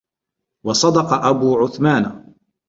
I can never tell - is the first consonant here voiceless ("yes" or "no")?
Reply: no